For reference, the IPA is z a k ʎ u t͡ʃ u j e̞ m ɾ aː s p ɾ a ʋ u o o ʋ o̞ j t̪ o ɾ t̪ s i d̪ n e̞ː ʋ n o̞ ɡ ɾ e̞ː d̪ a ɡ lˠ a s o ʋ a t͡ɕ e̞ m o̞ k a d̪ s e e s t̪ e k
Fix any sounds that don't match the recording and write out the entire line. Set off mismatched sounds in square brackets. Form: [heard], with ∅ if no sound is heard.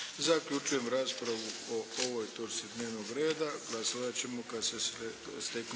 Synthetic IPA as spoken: z a k ʎ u t͡ʃ u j e̞ m ɾ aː s p ɾ a ʋ u o o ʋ o̞ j t̪ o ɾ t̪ s i d̪ n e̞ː ʋ n o̞ ɡ ɾ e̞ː d̪ a ɡ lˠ a s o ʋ a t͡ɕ e̞ m o̞ k a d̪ s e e s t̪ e k